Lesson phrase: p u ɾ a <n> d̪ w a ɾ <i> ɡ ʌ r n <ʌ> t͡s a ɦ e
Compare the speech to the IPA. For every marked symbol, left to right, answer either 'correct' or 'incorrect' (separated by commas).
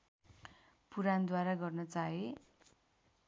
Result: correct, incorrect, correct